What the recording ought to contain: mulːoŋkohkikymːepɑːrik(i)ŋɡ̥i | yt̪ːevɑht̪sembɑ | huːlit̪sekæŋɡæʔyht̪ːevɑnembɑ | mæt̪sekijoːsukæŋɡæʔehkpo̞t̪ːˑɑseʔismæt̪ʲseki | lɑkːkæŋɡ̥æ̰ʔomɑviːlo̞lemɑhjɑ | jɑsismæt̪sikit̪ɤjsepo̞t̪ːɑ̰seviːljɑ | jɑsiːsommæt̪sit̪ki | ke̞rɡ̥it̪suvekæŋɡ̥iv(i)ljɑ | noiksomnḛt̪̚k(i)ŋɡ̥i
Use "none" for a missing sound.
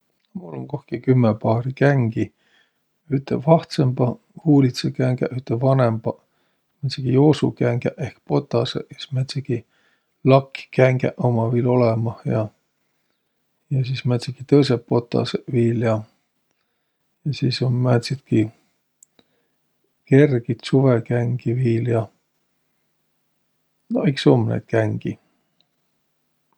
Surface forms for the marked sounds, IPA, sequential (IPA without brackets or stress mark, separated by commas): æ, iː, æ